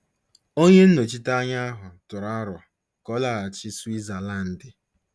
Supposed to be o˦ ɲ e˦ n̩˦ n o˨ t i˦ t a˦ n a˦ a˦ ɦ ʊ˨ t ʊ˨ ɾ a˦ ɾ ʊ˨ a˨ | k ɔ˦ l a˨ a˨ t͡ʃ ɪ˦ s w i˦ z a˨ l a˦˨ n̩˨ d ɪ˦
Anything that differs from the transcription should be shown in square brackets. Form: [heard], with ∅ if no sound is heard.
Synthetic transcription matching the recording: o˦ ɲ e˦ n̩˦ n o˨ [t͡ʃ] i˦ t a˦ [ɲ] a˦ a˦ ɦ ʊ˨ t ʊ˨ ɾ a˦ ɾ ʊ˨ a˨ | k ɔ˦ l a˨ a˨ t͡ʃ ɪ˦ s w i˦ z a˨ l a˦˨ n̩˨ d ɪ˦